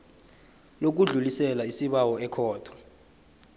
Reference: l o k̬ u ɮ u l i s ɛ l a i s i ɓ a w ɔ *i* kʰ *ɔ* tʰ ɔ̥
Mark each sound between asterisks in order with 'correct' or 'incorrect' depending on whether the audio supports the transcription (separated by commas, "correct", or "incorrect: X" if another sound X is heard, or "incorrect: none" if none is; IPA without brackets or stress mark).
incorrect: ɛ, incorrect: ɔː